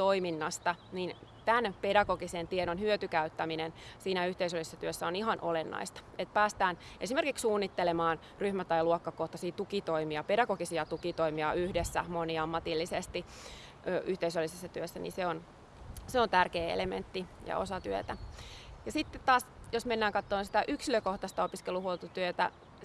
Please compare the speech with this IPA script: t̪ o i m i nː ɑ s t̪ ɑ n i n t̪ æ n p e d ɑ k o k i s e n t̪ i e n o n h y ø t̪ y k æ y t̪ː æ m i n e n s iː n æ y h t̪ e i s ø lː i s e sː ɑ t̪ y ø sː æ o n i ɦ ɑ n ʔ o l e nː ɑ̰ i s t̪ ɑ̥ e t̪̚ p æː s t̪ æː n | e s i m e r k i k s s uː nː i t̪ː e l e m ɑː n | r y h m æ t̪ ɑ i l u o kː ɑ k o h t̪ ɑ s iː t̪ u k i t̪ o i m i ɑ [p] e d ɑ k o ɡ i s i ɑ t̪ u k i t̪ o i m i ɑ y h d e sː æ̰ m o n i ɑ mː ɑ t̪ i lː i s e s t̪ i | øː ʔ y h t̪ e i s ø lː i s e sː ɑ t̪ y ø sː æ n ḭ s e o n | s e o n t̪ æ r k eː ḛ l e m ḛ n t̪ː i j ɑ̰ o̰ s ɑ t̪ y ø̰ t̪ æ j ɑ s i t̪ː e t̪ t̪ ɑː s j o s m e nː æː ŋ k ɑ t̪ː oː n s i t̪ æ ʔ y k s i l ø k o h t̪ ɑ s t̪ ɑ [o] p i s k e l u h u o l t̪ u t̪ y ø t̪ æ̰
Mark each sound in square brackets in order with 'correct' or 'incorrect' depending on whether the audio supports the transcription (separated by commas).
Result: correct, correct